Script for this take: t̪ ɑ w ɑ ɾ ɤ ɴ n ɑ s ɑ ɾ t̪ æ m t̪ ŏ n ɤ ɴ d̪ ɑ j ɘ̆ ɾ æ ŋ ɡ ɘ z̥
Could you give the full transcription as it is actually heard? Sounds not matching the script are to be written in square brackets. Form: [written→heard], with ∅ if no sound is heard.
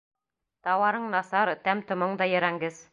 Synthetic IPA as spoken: t̪ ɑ w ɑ ɾ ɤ ɴ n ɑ s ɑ ɾ t̪ æ m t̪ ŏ [n→m] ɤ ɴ d̪ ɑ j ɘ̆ ɾ æ ŋ ɡ ɘ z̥